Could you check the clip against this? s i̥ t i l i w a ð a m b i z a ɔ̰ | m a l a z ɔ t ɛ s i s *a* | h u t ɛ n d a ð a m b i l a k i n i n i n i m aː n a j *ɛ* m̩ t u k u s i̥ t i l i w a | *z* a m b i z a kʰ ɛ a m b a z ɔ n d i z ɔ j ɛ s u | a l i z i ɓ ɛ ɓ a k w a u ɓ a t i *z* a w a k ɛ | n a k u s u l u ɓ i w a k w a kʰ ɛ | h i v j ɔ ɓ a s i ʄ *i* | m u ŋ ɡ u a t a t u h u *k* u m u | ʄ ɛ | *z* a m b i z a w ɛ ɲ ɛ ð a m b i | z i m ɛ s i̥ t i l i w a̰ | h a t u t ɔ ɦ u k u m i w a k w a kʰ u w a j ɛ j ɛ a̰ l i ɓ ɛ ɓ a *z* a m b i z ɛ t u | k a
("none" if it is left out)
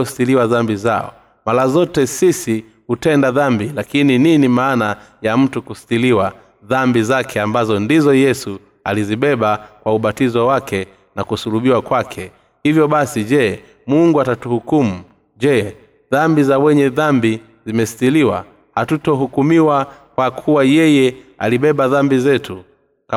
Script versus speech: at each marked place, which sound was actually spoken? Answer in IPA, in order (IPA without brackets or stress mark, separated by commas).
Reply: i, a, ð, z, ɛ, k, ð, ð